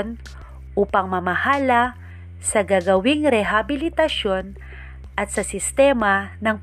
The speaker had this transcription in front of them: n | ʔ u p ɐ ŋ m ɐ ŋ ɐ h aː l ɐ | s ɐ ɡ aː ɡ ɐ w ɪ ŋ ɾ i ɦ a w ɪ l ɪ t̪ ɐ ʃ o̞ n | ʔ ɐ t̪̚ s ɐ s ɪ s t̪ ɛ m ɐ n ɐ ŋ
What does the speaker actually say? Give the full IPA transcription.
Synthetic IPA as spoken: n | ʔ u p ɐ ŋ m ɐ m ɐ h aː l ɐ | s ɐ ɡ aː ɡ ɐ w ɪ ŋ ɾ ɛ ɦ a b ɪ l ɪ t̪ ɐ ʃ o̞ n | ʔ ɐ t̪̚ s ɐ s ɪ s t̪ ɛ m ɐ n ɐ ŋ